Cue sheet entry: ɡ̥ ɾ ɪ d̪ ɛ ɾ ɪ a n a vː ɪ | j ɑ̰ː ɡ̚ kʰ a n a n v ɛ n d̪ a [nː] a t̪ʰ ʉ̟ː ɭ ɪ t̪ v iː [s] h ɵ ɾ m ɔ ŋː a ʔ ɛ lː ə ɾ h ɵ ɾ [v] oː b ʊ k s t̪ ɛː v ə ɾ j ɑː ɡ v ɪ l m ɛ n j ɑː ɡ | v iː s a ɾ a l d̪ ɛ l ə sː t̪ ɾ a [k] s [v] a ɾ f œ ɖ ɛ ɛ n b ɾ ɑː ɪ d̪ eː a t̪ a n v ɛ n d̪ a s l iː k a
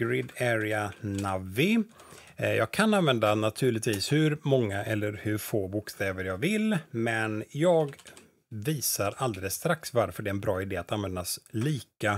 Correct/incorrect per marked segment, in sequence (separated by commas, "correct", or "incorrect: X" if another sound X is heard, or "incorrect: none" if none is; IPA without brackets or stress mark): incorrect: n, correct, incorrect: f, correct, correct